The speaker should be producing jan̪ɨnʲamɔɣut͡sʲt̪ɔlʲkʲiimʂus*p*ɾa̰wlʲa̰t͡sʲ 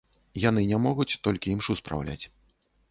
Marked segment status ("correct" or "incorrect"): correct